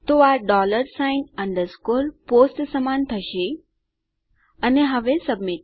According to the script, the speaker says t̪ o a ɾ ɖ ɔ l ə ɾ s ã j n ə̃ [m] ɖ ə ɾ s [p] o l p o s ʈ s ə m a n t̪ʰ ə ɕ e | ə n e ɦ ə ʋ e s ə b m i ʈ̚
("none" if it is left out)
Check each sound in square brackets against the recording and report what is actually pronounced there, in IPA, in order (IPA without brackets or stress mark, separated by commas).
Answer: ɳ, k